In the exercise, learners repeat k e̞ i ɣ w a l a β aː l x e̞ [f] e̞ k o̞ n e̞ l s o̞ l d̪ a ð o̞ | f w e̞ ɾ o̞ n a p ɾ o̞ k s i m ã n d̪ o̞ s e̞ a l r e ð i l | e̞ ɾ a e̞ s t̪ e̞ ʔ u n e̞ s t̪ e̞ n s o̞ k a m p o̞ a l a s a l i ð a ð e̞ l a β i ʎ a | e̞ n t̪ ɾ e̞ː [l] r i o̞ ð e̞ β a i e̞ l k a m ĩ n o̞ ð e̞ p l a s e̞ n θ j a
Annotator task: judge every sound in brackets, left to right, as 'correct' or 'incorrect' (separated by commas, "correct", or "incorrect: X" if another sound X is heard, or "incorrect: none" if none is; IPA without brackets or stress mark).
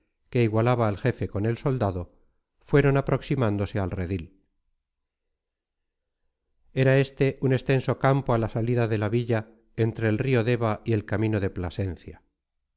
correct, correct